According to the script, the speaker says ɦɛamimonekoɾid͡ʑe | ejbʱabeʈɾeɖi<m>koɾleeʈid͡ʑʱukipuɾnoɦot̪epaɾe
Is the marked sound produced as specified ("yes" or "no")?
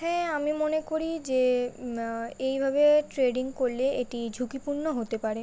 no